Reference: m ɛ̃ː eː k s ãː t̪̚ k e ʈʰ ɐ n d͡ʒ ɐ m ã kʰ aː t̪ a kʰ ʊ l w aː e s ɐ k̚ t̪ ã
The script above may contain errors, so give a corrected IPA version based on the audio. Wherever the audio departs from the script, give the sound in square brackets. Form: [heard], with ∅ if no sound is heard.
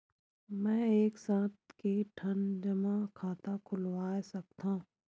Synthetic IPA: m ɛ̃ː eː k s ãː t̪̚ k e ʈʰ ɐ n d͡ʒ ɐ m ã kʰ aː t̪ a kʰ ʊ l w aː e s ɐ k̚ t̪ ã

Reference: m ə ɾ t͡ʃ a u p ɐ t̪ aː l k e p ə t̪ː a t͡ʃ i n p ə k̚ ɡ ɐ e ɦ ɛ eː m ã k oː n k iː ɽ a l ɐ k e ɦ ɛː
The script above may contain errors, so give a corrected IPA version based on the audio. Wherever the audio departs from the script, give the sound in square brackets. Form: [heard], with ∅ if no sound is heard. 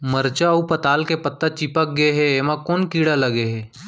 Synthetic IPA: m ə ɾ t͡ʃ a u p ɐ t̪ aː l k e p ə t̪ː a t͡ʃ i [∅] p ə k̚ ɡ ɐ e ɦ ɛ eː m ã k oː n k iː ɽ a l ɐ [ɡ] e ɦ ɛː

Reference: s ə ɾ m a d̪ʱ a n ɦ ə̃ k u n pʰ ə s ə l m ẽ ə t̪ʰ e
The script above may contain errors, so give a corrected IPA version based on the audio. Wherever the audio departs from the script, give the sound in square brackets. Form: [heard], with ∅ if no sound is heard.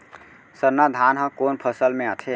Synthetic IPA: s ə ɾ [n] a d̪ʱ a n ɦ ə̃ k [o] n pʰ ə s ə l m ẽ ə t̪ʰ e

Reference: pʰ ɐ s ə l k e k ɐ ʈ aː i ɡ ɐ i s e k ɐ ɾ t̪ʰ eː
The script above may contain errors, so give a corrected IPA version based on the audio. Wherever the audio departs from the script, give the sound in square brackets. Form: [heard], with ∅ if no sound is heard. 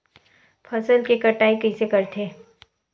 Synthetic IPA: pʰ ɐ s ə l k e k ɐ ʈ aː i [k] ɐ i s e k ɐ ɾ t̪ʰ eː

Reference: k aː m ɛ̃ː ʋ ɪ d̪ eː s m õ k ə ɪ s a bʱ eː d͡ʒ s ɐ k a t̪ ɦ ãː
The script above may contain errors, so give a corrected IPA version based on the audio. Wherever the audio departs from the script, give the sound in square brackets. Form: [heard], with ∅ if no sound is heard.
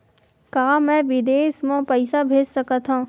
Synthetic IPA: k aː m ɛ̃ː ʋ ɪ d̪ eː s m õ [p] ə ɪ s a bʱ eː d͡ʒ s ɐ k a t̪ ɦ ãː

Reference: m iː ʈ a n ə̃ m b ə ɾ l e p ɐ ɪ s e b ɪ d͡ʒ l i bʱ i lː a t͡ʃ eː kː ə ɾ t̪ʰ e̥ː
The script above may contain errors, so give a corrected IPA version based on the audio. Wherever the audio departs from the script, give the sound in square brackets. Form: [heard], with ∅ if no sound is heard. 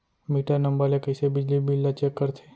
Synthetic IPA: m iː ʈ a n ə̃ m b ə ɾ l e [k] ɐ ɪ s e b ɪ d͡ʒ l i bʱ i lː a t͡ʃ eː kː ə ɾ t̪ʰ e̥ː

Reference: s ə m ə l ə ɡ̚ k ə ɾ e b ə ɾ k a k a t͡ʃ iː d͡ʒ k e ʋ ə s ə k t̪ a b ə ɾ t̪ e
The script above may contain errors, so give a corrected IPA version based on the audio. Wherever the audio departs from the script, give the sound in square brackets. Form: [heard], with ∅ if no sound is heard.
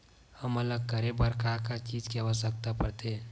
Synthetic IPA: [h] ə m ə l ə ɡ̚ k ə ɾ e b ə ɾ k a k a t͡ʃ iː d͡ʒ k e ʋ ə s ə k t̪ a [p] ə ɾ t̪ e

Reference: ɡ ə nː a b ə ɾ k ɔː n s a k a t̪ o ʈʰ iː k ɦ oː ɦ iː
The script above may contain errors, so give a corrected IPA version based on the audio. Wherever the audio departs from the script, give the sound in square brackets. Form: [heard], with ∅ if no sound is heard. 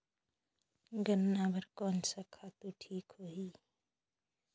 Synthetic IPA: ɡ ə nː a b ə ɾ k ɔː n s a [kʰ] a t̪ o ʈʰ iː k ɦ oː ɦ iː

